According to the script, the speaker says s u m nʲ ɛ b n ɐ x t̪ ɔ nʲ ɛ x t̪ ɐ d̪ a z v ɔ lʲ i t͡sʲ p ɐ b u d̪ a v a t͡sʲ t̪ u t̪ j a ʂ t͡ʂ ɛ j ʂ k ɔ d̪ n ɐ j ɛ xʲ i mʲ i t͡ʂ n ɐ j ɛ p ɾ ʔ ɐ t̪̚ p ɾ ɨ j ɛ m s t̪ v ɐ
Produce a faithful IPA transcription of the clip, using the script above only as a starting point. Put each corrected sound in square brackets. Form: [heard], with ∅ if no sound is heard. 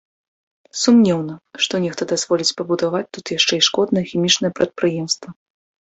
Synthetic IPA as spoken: s u m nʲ ɛ [w] n ɐ [ʂ] t̪ ɔ nʲ ɛ x t̪ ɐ d̪ a z v ɔ lʲ i t͡sʲ p ɐ b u d̪ a v a t͡sʲ t̪ u t̪ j a ʂ t͡ʂ ɛ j ʂ k ɔ d̪ n ɐ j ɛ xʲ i mʲ i t͡ʂ n ɐ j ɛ p ɾ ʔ ɐ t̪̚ p ɾ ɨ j ɛ m s t̪ v ɐ